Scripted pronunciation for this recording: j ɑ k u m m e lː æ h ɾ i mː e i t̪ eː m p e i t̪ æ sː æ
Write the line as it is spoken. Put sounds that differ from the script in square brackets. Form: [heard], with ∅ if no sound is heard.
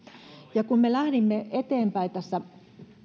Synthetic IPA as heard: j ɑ k u m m e [l] æ h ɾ i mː e [e] t̪ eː m p [æ] i t̪ æ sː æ